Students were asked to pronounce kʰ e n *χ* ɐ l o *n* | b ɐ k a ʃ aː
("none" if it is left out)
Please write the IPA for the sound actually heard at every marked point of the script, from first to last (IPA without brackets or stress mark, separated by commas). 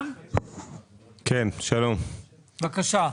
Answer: ʃ, m